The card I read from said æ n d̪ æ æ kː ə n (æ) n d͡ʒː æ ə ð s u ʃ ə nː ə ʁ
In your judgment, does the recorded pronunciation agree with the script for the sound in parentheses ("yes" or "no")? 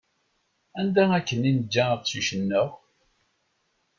no